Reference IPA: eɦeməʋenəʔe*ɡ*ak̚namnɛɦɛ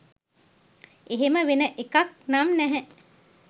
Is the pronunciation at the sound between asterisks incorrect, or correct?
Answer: incorrect: k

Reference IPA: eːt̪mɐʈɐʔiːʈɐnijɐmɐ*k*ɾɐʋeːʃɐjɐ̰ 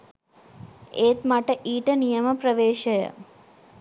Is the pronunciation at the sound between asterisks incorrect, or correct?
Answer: incorrect: p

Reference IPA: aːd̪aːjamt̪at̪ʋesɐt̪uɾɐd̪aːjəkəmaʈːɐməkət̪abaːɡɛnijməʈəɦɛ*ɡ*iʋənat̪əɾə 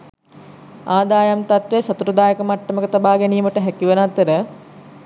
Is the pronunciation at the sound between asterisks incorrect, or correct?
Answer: incorrect: k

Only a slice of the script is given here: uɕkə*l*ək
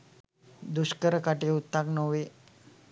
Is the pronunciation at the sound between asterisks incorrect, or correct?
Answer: incorrect: ɾ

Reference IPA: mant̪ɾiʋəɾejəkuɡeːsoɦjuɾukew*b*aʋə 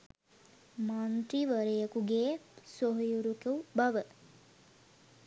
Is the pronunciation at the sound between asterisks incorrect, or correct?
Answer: correct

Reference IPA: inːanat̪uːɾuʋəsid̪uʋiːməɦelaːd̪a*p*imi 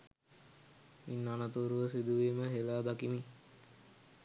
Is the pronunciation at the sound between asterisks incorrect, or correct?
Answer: incorrect: k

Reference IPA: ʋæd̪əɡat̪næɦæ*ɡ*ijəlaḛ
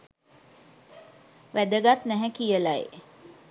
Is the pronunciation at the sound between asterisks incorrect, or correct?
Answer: incorrect: k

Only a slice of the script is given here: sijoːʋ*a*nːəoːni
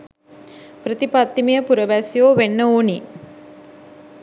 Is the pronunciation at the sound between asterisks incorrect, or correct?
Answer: incorrect: e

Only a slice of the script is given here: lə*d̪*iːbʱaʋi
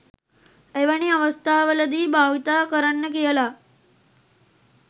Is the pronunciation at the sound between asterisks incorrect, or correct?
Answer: correct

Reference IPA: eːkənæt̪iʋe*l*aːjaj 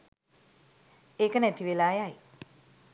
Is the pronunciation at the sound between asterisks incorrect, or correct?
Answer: correct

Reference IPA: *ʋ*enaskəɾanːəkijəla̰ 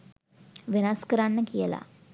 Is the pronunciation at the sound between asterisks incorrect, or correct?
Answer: correct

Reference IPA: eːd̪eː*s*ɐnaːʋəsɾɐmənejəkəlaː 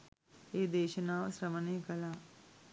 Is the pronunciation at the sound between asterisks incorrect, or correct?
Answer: incorrect: ʃ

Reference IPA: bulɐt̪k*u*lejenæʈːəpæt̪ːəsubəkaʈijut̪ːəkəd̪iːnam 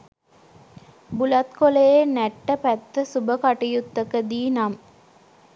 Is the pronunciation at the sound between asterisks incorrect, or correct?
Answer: incorrect: o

